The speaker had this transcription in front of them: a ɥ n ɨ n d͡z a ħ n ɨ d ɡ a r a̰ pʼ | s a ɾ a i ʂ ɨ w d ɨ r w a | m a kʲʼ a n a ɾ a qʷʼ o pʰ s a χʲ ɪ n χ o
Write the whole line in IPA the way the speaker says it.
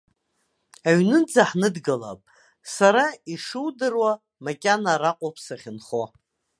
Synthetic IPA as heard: a ɥ n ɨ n d͡z a ħ n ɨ d ɡ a l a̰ pʼ | s a ɾ a i ʂ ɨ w d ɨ r w a | m a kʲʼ a n a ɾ a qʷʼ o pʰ s a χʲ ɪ n χ o